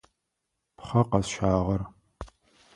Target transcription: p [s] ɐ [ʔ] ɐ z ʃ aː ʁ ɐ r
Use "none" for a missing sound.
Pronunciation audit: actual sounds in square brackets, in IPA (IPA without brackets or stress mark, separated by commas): χ, q